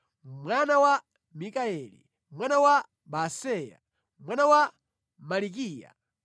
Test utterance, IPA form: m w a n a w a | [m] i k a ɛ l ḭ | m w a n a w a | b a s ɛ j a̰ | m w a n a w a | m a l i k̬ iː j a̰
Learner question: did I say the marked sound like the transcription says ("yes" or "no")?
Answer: yes